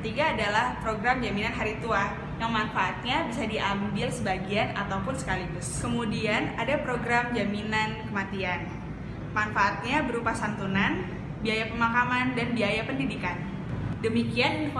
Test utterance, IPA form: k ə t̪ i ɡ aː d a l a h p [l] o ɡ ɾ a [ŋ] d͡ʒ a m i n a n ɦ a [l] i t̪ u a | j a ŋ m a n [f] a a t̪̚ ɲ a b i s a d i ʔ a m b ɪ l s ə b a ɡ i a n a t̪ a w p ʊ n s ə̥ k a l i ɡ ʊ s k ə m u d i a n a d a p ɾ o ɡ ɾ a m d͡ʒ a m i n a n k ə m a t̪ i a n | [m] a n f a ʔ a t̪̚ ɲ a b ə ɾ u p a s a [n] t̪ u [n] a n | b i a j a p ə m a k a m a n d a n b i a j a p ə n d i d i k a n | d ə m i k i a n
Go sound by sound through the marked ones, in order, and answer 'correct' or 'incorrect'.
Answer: incorrect: ɾ, incorrect: m, incorrect: ɾ, correct, correct, correct, correct

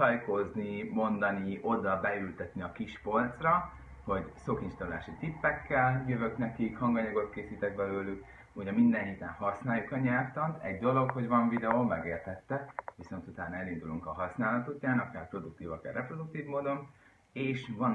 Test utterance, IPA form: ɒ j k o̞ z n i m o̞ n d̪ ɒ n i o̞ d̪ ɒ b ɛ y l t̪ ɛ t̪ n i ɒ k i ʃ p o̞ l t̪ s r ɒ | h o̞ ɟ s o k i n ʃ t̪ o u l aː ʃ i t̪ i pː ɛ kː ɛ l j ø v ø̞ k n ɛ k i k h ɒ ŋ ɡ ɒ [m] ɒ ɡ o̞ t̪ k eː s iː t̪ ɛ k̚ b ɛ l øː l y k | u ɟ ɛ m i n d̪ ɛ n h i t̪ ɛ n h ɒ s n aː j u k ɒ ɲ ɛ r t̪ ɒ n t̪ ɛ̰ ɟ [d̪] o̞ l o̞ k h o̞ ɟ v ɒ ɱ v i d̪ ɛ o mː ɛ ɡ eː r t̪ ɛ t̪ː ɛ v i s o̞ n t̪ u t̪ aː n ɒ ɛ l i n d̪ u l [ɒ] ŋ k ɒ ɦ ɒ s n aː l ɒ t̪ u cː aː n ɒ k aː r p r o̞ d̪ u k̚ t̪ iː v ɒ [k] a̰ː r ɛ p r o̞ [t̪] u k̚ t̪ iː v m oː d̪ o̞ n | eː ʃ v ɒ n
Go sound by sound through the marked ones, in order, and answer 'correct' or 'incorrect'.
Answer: incorrect: ɲ, correct, incorrect: u, correct, incorrect: d̪

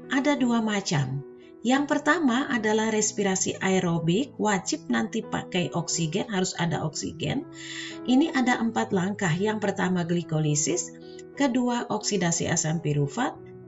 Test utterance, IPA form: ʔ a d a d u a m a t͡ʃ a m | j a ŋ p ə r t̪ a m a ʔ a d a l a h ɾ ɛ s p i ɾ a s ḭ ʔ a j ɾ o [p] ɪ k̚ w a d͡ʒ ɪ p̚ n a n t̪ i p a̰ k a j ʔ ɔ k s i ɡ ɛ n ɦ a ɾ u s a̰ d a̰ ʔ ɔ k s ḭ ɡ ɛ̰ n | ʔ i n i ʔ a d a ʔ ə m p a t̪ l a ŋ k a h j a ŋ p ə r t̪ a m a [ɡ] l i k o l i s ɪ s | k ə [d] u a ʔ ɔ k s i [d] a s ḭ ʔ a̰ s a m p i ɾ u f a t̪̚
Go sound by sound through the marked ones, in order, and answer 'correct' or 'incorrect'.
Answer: incorrect: b, correct, correct, correct

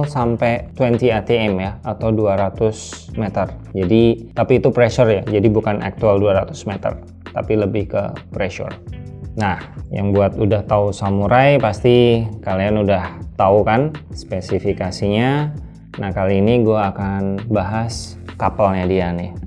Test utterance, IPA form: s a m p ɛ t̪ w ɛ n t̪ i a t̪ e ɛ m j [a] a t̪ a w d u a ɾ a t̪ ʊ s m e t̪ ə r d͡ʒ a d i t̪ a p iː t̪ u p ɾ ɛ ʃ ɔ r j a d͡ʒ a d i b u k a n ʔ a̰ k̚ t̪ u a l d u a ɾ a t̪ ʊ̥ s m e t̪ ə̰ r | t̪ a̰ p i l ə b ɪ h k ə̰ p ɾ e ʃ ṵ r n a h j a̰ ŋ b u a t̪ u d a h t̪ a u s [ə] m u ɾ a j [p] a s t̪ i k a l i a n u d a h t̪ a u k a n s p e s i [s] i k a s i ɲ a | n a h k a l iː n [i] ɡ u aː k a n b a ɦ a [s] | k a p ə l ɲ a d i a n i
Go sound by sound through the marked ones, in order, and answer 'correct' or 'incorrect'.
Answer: correct, incorrect: a, correct, incorrect: f, correct, correct

